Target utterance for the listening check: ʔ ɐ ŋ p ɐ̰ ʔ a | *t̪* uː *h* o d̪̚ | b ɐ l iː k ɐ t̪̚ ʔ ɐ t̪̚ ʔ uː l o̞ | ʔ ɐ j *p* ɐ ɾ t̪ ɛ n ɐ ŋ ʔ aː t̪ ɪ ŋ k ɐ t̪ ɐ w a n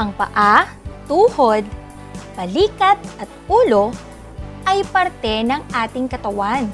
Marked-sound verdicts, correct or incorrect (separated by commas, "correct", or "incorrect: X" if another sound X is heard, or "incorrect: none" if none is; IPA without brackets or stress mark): correct, correct, correct